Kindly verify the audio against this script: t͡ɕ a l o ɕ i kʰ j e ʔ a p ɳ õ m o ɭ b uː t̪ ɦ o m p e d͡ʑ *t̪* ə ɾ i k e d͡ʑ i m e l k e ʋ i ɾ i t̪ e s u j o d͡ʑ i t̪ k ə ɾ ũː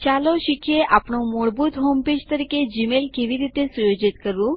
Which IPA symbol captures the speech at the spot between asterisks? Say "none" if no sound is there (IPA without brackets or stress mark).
t̪